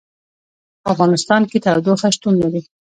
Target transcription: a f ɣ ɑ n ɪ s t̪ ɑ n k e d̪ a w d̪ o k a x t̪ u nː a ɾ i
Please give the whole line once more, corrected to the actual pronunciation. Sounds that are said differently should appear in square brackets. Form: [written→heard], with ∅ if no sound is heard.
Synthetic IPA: a f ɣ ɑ n ɪ s t̪ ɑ n k e [d̪→t̪] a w d̪ o [k→x] a [x→ʃ] t̪ u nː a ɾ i